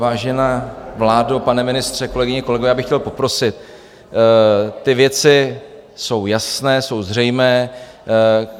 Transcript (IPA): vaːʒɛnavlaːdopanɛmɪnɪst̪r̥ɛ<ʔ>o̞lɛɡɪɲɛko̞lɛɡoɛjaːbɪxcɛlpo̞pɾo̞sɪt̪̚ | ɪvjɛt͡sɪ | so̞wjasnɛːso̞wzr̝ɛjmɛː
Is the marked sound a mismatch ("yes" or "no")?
yes